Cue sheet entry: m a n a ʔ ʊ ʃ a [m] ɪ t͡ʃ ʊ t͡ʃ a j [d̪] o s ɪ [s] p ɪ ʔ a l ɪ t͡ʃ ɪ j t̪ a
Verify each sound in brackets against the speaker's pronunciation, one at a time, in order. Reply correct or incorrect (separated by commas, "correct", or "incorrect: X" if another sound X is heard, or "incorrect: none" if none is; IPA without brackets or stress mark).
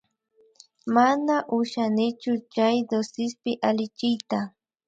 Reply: incorrect: n, correct, correct